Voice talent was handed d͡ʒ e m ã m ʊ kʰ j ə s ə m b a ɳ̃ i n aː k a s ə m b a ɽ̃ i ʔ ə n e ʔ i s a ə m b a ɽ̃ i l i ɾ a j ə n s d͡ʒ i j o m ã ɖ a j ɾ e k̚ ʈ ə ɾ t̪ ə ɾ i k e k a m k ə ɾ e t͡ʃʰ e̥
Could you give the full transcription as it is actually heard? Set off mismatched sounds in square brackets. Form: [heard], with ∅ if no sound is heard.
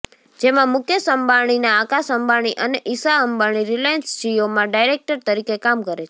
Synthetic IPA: d͡ʒ e m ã m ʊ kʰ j ə s ə m b a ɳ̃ i n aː k a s ə m b a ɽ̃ i ʔ ə n e ʔ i s a ə m b a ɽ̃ i [ɾ] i [l] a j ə n s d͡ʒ i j o m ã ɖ a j ɾ e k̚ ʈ ə ɾ t̪ ə ɾ i k e k a m k ə ɾ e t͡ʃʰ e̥